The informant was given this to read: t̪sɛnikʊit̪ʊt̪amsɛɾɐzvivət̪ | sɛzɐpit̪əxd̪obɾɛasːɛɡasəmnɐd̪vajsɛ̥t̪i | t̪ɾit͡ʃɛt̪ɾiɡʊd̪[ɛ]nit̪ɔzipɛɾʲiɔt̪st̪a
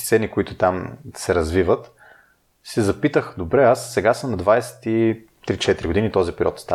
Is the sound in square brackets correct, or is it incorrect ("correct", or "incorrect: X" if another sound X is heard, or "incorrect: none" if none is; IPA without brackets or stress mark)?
incorrect: i